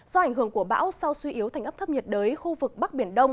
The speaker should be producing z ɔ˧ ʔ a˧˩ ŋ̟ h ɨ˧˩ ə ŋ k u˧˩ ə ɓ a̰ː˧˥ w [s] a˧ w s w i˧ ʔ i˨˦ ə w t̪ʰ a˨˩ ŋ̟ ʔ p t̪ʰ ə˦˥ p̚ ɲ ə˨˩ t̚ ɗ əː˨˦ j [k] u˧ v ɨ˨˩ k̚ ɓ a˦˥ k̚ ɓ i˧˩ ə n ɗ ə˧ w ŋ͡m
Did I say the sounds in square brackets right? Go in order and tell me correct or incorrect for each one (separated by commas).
correct, incorrect